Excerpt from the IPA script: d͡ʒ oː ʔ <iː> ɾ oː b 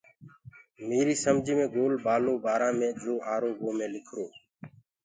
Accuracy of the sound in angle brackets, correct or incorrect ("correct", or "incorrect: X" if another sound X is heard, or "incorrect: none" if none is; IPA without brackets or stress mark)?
incorrect: aː